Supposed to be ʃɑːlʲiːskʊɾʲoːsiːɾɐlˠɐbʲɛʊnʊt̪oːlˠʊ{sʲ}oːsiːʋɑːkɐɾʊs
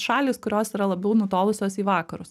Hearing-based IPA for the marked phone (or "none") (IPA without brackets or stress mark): sʲ